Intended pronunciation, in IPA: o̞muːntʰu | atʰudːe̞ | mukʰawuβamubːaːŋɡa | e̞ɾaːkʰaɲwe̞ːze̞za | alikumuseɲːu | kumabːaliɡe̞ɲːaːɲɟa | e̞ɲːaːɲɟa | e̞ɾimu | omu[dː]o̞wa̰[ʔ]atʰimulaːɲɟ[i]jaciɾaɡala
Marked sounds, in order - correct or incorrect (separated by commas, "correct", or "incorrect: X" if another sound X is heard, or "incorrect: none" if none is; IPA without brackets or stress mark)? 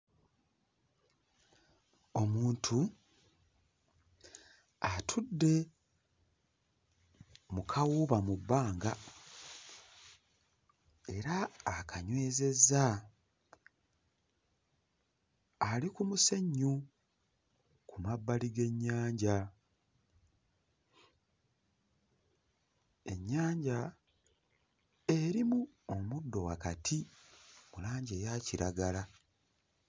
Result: correct, incorrect: k, incorrect: e